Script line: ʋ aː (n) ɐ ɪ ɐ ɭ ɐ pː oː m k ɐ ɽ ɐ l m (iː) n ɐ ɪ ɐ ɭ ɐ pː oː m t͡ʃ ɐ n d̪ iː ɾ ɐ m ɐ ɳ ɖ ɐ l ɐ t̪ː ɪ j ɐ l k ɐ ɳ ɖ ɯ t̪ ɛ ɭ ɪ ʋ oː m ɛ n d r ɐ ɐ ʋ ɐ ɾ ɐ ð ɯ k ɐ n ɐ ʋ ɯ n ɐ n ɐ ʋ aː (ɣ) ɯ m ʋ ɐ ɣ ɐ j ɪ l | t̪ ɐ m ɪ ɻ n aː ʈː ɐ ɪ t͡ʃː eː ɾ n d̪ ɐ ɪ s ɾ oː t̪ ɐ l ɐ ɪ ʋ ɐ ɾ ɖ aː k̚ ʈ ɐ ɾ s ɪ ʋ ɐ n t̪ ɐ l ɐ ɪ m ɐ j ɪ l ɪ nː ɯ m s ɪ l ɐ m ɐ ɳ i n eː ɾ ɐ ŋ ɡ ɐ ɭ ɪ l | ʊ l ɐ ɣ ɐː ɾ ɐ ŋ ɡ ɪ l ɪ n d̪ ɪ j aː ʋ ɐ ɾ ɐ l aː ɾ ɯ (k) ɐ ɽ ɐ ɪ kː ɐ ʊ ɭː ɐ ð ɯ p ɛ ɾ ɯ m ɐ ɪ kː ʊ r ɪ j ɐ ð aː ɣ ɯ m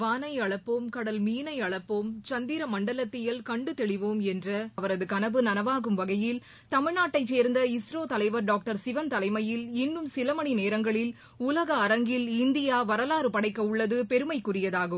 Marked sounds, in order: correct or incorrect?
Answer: correct, correct, correct, incorrect

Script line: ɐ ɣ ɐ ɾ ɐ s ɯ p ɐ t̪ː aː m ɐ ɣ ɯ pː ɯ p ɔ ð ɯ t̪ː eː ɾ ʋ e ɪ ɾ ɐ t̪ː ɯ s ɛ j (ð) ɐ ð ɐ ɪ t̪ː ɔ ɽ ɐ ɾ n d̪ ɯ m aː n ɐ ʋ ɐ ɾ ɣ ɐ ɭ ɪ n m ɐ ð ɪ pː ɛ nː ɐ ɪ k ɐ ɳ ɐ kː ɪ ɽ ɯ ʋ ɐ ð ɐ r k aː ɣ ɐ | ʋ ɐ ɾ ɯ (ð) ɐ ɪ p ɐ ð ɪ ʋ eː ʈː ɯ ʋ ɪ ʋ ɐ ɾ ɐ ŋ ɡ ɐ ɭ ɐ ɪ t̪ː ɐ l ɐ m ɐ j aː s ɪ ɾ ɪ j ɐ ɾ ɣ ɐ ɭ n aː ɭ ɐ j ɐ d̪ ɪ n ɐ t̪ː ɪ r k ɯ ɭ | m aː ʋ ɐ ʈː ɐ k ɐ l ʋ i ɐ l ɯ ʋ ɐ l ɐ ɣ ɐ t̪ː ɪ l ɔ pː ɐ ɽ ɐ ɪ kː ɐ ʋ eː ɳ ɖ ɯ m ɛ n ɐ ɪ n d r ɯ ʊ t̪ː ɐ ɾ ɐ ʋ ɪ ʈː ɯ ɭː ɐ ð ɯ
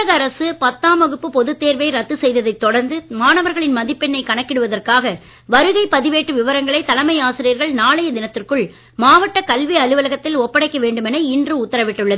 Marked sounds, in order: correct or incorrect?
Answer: correct, incorrect

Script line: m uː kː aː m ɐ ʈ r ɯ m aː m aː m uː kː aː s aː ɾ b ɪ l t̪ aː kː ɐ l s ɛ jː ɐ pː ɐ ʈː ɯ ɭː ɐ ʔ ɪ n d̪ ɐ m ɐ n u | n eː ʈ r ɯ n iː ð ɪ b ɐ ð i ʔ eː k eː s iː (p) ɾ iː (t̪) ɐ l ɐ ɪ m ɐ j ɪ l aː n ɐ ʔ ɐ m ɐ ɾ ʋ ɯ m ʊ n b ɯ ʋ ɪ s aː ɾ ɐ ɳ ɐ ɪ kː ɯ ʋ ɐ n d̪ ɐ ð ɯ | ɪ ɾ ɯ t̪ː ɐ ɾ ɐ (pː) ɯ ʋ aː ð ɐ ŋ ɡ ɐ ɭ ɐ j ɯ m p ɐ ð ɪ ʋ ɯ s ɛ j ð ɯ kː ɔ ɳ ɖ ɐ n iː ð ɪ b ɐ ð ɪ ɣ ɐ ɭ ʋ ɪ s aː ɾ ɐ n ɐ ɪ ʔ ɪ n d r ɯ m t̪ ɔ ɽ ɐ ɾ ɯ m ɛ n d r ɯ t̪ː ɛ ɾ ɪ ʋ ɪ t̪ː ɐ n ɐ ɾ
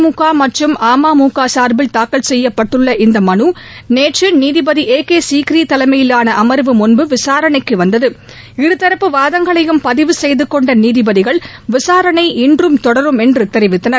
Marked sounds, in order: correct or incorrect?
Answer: incorrect, correct, correct

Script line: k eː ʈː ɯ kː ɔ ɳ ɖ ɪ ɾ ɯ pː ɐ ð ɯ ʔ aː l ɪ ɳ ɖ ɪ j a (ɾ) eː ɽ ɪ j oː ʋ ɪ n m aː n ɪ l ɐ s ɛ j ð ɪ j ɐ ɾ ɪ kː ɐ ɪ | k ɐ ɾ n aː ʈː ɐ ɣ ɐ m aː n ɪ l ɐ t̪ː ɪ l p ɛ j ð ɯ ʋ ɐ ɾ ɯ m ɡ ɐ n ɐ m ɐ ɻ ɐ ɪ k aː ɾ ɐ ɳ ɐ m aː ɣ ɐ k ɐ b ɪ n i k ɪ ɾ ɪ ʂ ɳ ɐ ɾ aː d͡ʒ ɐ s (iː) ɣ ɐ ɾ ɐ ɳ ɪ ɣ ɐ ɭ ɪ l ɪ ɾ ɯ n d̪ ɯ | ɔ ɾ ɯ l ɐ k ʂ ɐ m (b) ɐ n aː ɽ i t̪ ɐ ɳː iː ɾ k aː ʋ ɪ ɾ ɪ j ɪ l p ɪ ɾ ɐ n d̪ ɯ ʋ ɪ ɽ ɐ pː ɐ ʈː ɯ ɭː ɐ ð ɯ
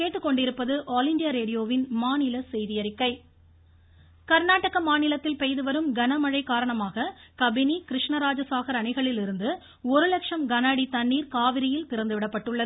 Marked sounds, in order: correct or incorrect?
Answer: correct, incorrect, incorrect

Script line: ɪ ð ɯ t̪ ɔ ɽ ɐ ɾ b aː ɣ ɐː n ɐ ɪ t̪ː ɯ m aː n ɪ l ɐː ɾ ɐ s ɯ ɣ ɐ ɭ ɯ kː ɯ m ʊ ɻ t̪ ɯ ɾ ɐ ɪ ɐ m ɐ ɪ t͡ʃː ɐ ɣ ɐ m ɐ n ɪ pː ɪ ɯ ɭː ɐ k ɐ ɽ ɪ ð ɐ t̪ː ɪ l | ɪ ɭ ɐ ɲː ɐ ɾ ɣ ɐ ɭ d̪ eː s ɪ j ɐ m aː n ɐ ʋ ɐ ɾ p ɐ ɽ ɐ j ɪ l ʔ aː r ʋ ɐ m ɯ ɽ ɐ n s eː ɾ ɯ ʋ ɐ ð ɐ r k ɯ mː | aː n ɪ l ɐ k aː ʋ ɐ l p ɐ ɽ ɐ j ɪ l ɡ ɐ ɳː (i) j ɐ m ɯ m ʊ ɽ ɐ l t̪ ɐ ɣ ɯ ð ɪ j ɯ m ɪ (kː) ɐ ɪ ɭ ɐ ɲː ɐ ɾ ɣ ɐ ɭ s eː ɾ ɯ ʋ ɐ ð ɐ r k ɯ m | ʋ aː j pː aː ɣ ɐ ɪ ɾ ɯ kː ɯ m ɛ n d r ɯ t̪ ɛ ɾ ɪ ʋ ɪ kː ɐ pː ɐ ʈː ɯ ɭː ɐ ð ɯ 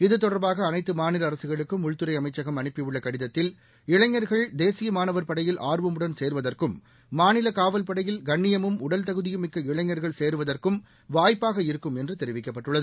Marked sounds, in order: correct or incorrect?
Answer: incorrect, correct

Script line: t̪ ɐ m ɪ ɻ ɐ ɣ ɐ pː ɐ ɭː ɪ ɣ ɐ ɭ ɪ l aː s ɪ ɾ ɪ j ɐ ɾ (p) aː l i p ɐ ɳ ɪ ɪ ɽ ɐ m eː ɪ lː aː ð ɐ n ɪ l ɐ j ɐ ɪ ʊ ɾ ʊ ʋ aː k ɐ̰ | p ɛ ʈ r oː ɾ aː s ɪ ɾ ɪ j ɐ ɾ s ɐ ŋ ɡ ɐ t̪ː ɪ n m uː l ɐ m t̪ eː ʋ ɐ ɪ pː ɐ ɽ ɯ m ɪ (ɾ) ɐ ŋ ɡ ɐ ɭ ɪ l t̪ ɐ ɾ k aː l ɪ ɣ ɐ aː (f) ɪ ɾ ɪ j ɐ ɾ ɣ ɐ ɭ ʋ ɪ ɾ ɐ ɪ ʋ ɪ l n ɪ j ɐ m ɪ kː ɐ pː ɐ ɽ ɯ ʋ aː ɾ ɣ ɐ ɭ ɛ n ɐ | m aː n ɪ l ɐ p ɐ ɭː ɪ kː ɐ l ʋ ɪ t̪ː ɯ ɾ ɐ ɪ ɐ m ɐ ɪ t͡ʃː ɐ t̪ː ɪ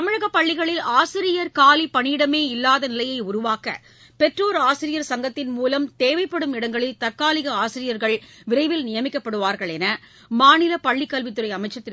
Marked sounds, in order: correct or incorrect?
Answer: incorrect, incorrect, incorrect

